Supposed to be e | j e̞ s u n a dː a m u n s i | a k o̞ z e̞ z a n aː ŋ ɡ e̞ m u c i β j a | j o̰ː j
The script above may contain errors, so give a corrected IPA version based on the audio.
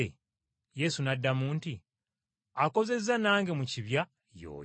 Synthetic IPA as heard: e | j e̞ s u n a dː a m uː n t i | a k o̞ z e̞ z a n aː ŋ ɡ e̞ m u c i β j a | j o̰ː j